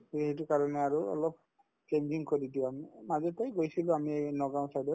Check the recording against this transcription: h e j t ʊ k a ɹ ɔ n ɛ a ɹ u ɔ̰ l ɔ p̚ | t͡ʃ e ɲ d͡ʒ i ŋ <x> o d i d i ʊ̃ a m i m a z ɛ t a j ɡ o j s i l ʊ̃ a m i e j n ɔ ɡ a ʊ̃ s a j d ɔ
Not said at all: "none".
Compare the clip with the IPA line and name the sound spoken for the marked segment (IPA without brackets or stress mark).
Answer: k